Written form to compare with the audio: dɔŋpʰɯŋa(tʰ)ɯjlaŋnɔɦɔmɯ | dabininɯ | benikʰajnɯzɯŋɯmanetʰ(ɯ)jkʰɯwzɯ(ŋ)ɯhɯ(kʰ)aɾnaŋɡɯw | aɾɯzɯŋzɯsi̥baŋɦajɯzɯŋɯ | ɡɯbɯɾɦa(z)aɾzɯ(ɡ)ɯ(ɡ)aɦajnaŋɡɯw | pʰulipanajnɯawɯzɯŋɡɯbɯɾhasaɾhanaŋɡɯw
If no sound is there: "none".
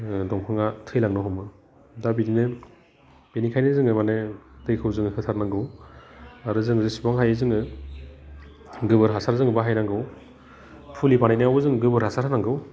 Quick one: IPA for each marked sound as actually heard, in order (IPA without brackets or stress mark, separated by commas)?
tʰ, ɯ, ŋ, tʰ, s, ŋ, b